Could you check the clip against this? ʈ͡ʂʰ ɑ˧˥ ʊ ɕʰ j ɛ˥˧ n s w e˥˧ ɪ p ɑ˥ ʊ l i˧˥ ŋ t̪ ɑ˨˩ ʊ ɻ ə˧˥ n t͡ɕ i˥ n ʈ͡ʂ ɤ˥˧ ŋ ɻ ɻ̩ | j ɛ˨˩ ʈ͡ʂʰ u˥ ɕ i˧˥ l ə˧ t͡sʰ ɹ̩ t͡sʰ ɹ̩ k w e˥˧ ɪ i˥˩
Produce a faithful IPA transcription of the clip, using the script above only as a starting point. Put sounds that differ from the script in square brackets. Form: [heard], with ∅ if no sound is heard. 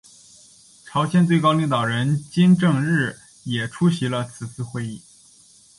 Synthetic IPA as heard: ʈ͡ʂʰ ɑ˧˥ ʊ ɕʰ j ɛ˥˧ n [t͡s] w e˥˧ ɪ [k] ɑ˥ ʊ l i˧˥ ŋ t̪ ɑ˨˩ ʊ ɻ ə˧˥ n t͡ɕ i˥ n ʈ͡ʂ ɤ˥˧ ŋ ɻ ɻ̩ | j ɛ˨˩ ʈ͡ʂʰ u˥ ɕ i˧˥ l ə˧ t͡sʰ ɹ̩ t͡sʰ ɹ̩ [x] w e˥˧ ɪ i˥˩